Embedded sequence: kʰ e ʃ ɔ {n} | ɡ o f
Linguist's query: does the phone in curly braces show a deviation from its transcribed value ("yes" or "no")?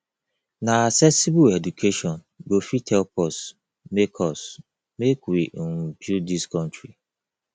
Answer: no